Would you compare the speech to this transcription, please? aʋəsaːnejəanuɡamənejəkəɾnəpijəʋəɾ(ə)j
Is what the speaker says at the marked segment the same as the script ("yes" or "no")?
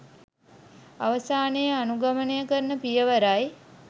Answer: no